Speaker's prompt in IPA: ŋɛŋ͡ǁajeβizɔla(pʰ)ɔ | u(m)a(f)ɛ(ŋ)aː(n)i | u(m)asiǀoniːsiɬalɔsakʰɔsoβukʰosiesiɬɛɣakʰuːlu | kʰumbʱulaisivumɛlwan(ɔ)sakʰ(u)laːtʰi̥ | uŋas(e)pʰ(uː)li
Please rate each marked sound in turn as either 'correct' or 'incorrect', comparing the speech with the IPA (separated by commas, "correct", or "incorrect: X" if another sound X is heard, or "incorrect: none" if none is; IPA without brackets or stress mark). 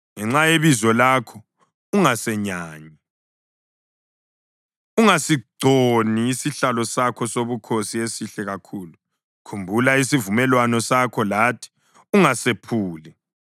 incorrect: kʰ, incorrect: ŋ, incorrect: s, incorrect: ɲ, incorrect: ɲ, incorrect: ŋ, correct, incorrect: ɔ, correct, correct